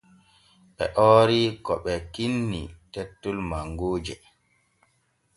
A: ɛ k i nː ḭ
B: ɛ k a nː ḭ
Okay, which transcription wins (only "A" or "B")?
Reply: A